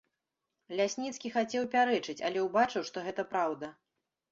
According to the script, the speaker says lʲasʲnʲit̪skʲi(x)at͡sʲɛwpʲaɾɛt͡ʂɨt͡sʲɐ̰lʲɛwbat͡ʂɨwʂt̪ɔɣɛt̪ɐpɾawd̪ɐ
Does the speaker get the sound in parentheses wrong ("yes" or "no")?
no